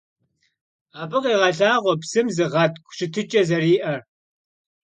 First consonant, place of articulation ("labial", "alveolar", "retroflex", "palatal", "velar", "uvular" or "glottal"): labial